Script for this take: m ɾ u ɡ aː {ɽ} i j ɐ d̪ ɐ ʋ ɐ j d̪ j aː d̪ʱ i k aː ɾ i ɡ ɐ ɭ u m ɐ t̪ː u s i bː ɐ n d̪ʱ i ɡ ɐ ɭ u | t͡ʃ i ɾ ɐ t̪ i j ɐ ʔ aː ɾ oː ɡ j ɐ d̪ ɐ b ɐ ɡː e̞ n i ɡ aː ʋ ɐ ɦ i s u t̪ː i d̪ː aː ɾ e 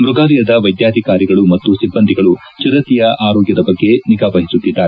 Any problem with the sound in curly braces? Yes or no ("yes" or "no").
yes